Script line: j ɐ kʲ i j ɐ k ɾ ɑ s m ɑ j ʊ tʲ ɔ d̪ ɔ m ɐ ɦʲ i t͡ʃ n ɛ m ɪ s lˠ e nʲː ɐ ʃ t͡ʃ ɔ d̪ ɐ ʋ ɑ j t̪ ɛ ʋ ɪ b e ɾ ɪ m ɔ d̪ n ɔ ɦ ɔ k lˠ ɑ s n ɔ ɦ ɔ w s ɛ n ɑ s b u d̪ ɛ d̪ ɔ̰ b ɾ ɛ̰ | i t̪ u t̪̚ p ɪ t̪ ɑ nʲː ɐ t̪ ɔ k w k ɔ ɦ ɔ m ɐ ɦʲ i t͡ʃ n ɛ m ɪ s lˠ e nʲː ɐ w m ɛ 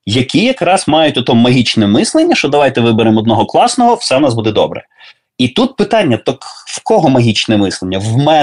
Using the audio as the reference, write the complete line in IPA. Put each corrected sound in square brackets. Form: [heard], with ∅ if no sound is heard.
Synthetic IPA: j ɐ kʲ i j ɐ k ɾ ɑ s m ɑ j ʊ tʲ ɔ [t̪] ɔ m ɐ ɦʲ i t͡ʃ n ɛ m ɪ s lˠ e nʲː ɐ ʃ t͡ʃ ɔ d̪ ɐ ʋ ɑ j t̪ ɛ ʋ ɪ b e ɾ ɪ m ɔ d̪ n ɔ ɦ ɔ k lˠ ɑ s n ɔ ɦ ɔ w s ɛ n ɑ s b u d̪ ɛ d̪ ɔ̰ b ɾ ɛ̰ | i t̪ u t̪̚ p ɪ t̪ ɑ nʲː ɐ t̪ ɔ k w k ɔ ɦ ɔ m ɐ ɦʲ i t͡ʃ n ɛ m ɪ s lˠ e nʲː ɐ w m ɛ